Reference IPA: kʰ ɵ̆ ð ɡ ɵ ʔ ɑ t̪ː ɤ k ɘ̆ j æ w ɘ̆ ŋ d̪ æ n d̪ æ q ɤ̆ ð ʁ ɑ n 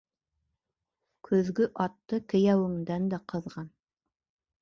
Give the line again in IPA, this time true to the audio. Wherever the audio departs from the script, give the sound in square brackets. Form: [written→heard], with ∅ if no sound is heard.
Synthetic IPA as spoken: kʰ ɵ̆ ð ɡ ɵ ʔ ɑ t̪ː ɤ k ɘ̆ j æ w ɘ̆ ŋ d̪ æ n d̪ æ q ɤ̆ ð ʁ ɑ n